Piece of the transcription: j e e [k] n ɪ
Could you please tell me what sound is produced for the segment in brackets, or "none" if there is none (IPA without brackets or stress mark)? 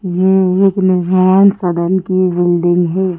k